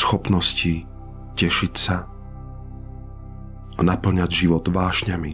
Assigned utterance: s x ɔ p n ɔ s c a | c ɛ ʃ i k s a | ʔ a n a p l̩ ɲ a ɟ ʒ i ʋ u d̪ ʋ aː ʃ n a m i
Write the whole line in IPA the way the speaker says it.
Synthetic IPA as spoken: s x ɔ p n ɔ s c i | c ɛ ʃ i c s a | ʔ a n a p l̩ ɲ a ɟ ʒ i ʋ ɔ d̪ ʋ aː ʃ ɲ a m i